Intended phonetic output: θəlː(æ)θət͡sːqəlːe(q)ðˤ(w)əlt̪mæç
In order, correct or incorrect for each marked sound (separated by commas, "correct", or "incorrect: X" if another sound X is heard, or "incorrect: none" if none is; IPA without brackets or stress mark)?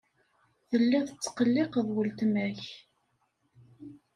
correct, correct, correct